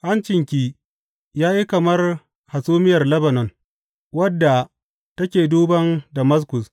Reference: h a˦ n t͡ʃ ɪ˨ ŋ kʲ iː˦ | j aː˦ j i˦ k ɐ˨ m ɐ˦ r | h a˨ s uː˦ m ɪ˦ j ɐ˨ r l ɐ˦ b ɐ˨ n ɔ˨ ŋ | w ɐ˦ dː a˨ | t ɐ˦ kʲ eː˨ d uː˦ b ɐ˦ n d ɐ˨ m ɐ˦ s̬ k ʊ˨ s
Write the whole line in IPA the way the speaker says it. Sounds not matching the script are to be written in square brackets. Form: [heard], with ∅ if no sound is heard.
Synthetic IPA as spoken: h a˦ n t͡ʃ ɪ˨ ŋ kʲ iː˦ | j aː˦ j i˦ k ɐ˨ m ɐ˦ r | h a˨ s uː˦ m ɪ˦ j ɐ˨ r l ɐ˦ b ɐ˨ n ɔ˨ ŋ | w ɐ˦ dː a˨ | t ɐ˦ kʲ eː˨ d uː˦ b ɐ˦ n d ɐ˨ m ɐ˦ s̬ k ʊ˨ s